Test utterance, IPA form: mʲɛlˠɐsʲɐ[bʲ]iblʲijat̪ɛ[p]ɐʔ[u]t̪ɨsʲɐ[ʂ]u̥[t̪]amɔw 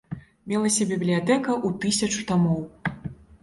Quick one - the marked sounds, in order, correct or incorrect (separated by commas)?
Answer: correct, incorrect, correct, incorrect, correct